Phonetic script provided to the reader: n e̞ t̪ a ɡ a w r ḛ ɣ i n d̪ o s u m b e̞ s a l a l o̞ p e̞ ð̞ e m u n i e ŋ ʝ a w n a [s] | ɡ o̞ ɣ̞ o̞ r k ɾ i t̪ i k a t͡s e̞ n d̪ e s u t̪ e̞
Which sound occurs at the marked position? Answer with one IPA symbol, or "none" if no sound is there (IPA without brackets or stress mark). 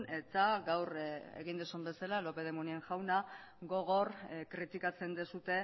none